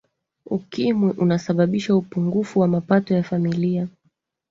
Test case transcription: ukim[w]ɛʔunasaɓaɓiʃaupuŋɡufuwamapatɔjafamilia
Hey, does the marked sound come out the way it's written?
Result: yes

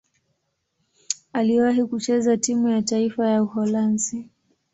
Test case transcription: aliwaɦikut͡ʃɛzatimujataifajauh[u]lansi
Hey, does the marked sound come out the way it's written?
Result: no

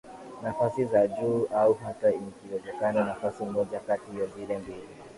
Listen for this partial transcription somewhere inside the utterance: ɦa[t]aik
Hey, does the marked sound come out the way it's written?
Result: yes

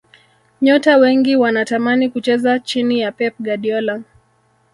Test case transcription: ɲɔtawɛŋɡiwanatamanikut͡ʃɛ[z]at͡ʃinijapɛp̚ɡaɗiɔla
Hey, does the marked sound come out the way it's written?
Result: yes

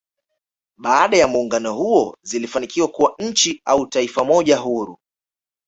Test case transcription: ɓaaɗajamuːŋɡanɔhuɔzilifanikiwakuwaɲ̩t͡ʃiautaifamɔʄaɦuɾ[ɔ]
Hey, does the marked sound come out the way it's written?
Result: no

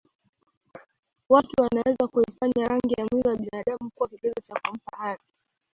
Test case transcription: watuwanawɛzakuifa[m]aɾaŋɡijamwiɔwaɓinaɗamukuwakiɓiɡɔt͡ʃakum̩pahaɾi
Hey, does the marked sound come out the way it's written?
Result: no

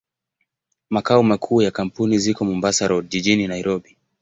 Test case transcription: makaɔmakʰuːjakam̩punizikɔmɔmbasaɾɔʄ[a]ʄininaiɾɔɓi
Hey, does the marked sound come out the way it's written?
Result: no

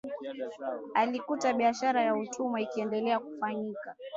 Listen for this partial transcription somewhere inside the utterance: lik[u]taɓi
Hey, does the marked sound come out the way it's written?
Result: yes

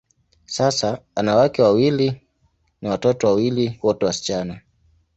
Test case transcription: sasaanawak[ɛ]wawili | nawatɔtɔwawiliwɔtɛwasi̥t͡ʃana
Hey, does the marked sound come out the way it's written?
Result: yes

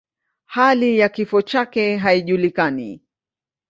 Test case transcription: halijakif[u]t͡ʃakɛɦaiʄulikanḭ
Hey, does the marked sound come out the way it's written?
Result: no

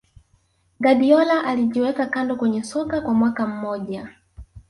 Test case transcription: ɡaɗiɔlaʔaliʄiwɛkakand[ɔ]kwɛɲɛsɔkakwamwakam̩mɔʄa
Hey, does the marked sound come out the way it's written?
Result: yes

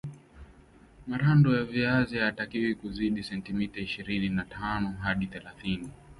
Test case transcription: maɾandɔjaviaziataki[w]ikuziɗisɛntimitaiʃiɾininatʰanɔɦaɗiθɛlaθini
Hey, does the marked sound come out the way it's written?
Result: yes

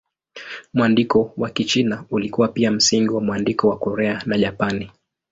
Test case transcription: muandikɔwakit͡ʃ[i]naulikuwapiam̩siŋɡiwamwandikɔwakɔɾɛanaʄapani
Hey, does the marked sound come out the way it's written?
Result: yes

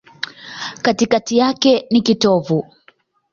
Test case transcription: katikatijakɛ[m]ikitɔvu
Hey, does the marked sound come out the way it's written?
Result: no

